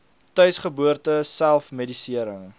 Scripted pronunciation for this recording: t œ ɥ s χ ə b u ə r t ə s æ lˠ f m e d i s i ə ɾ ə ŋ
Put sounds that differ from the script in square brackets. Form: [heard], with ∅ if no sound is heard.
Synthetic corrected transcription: t œ ɥ s χ ə b u ə r t ə s æ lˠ f m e d i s i ə ɾ ə ŋ